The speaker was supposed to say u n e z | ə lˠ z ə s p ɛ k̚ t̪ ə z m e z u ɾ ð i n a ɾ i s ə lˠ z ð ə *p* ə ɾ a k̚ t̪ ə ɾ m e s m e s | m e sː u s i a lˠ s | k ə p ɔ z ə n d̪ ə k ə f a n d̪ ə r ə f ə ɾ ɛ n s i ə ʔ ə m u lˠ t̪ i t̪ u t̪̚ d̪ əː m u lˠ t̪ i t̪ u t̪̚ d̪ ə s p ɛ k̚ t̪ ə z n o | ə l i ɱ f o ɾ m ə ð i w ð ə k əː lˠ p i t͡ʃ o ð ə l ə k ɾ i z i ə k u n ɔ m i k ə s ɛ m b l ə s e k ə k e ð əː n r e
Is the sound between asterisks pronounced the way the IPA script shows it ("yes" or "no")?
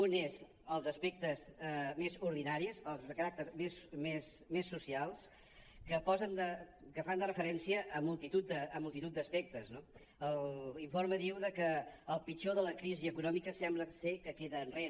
no